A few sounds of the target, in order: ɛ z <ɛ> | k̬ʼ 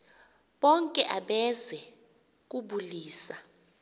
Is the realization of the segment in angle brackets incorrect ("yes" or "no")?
no